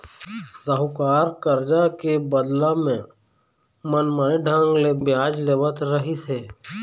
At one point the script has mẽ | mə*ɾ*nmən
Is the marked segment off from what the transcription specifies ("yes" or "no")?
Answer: yes